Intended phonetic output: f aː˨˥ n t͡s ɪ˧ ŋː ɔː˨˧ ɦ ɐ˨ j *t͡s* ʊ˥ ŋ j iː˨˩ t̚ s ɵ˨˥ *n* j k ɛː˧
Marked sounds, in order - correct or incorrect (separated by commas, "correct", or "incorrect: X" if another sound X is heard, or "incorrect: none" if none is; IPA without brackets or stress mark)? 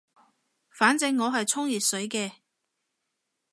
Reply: incorrect: t͡sʰ, incorrect: none